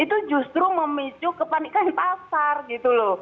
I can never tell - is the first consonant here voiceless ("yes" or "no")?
yes